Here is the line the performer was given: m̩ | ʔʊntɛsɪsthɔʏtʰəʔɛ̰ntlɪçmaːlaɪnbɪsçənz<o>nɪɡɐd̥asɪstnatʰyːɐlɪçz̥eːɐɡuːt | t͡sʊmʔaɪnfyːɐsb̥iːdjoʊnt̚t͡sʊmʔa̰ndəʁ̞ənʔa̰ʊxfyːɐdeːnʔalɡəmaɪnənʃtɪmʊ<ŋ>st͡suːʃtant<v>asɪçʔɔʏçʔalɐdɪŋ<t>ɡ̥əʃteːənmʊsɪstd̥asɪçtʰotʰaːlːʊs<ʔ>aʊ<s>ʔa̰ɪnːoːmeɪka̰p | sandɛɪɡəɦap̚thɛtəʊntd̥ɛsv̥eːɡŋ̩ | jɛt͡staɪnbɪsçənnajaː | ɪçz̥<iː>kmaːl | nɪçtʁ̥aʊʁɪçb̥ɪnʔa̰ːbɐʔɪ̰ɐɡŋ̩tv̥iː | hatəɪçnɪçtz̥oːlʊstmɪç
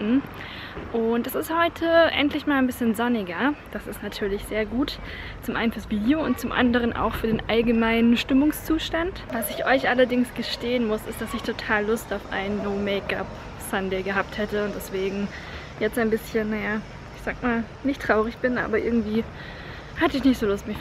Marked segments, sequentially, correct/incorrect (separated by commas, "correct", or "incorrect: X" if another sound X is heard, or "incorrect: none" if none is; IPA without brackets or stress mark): incorrect: ɔ, correct, correct, incorrect: s, incorrect: t, incorrect: f, incorrect: aː